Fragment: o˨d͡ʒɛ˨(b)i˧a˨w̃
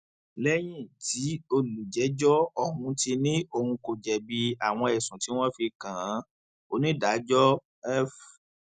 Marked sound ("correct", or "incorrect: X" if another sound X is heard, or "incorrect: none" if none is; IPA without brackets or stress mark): correct